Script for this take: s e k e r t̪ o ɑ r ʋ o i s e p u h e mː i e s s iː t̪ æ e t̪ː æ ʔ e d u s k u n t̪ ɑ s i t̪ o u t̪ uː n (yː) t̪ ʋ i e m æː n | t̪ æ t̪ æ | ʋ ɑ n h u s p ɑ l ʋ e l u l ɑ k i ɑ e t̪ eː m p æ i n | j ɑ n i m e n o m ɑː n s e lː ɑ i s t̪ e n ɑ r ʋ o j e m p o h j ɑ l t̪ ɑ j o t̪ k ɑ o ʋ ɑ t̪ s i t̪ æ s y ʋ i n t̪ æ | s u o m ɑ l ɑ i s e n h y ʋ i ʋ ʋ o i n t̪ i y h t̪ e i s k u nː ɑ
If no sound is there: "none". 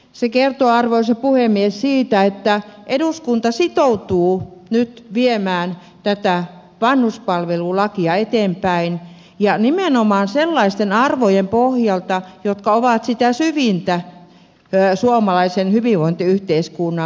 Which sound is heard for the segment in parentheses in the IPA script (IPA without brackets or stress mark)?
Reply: y